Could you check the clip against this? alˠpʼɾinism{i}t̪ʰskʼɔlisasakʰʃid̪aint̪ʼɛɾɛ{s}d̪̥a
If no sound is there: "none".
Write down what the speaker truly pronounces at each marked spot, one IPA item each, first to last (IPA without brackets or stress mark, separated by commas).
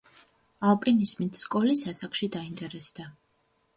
i, s